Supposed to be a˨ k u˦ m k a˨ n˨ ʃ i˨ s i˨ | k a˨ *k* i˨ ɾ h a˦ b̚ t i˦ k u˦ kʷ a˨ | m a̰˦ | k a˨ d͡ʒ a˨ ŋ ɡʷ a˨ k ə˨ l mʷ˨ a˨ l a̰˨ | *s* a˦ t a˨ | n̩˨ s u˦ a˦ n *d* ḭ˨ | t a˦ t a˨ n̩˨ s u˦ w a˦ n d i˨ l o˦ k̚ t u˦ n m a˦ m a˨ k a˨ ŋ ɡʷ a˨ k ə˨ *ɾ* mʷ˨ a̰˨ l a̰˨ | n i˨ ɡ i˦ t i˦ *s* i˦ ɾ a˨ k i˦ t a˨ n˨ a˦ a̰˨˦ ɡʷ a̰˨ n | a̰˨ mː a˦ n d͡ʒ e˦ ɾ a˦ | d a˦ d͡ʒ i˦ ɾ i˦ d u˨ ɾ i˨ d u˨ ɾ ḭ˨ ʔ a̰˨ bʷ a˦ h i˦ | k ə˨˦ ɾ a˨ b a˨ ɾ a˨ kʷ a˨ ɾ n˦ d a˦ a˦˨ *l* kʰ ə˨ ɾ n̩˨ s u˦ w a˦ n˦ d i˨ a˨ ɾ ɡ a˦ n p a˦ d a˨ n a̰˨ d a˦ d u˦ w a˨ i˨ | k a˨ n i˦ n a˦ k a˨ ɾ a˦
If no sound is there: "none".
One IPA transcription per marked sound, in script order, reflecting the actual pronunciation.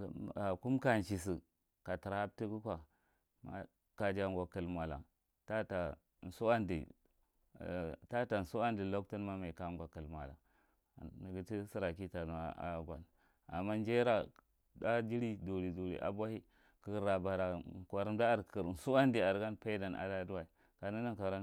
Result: t, t, d, l, s, ɾ

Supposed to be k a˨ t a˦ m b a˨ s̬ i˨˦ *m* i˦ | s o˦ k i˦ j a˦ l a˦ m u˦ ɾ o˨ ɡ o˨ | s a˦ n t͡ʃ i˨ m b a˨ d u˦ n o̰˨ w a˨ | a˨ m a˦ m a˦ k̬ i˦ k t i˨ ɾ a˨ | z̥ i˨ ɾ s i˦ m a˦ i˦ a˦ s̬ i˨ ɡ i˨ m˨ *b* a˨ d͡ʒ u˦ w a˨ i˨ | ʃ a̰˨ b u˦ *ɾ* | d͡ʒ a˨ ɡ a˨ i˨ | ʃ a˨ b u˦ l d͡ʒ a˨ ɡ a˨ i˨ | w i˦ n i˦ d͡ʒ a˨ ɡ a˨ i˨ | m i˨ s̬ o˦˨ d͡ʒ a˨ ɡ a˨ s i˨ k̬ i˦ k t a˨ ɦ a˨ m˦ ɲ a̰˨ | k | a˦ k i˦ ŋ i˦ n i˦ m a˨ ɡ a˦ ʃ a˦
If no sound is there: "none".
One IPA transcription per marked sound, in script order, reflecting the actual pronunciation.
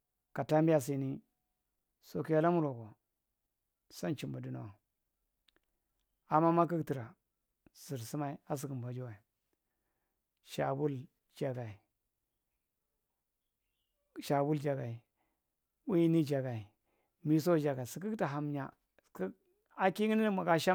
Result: n, b, l

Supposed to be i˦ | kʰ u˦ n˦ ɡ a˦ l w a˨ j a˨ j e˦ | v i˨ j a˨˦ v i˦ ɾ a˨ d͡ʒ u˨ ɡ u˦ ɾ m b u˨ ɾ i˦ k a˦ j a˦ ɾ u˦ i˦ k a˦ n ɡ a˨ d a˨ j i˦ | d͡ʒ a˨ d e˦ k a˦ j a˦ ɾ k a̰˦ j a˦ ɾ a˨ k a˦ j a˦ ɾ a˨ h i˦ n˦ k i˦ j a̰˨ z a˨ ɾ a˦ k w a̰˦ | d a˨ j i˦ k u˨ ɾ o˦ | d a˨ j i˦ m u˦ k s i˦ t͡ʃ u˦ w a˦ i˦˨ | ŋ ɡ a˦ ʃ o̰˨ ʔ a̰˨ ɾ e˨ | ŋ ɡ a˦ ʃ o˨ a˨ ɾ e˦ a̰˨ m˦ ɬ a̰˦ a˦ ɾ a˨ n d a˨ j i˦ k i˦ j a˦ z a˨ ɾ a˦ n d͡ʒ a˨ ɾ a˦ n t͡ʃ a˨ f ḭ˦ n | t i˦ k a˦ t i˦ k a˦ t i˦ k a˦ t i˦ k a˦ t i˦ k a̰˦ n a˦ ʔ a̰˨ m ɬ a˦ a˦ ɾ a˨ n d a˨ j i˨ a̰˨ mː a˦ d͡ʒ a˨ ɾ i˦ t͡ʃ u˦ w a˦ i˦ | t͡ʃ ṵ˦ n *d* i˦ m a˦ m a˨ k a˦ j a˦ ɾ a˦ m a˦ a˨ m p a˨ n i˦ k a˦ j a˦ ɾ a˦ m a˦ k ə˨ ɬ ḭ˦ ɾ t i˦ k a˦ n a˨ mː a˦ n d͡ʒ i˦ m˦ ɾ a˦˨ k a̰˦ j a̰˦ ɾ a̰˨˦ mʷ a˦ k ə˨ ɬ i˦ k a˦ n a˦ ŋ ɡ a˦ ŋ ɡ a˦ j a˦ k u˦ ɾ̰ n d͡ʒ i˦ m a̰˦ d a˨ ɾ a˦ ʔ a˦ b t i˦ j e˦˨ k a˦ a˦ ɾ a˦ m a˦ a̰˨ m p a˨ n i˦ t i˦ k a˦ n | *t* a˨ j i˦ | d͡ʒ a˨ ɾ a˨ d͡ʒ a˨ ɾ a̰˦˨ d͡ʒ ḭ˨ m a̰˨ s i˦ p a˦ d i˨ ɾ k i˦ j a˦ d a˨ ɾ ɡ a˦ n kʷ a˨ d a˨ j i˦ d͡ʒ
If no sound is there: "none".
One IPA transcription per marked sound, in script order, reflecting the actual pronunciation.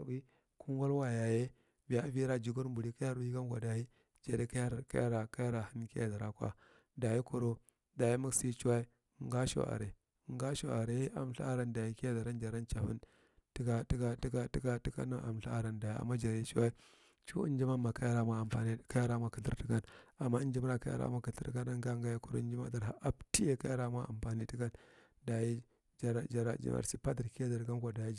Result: d͡ʒ, d

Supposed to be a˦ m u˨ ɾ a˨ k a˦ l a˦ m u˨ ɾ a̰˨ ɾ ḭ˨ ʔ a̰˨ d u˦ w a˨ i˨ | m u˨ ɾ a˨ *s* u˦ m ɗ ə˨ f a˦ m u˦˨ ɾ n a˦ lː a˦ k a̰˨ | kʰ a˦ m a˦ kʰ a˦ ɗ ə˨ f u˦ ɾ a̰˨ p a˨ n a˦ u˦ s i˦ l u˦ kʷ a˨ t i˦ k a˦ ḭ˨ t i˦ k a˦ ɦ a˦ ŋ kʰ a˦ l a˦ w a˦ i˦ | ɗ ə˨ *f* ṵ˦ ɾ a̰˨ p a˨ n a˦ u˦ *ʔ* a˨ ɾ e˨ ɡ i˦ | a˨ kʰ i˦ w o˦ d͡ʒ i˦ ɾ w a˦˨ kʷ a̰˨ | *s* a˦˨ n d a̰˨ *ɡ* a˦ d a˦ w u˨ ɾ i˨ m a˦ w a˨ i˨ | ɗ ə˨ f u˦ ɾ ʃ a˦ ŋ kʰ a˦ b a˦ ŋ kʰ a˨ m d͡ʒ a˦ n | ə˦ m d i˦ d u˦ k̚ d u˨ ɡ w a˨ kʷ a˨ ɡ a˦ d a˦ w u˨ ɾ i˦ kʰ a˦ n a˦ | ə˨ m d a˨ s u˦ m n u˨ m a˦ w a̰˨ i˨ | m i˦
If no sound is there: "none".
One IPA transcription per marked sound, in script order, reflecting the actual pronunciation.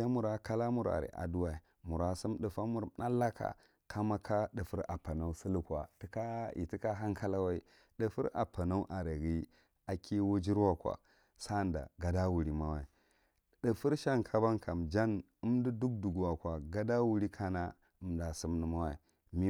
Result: s, f, ʔ, s, ɡ

